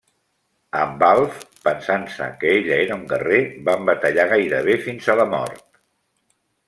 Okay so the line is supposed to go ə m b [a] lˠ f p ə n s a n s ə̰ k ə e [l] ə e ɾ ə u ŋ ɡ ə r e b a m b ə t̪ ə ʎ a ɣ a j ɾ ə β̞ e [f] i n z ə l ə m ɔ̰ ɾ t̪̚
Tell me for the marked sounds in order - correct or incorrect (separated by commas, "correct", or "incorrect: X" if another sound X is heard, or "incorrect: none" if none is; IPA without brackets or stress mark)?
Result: correct, incorrect: ʎ, correct